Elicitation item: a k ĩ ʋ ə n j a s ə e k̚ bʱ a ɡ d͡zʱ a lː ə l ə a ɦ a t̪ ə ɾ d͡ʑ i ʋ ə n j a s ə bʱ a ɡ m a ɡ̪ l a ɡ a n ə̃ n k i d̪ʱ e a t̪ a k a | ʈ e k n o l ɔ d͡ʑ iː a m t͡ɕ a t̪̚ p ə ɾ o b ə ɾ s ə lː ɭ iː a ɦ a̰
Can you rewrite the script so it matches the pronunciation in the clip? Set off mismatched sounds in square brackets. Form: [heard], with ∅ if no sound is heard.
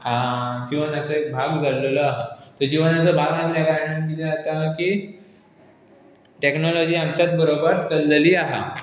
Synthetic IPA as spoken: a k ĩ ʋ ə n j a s ə e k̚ bʱ a ɡ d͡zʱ a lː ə l ə a ɦ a t̪ ə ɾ d͡ʑ i ʋ ə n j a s ə bʱ a ɡ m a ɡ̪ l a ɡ a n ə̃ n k i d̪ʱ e a t̪ a k [i] | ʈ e k n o l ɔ d͡ʑ iː a m t͡ɕ a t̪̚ [b] ə ɾ o b ə ɾ [t͡s] ə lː [l] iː a ɦ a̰